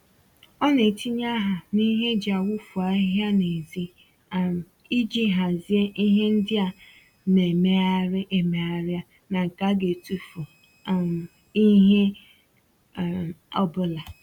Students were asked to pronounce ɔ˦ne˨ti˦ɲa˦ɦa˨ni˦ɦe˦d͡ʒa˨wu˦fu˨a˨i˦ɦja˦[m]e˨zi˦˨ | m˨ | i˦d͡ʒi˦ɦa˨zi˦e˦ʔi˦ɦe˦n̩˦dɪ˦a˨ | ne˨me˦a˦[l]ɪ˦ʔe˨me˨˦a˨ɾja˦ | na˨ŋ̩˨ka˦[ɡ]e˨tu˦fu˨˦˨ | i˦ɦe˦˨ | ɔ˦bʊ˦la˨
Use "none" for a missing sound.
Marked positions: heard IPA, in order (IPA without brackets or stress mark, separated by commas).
n, ɾ, ɡ